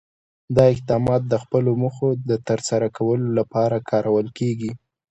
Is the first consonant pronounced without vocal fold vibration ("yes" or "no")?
no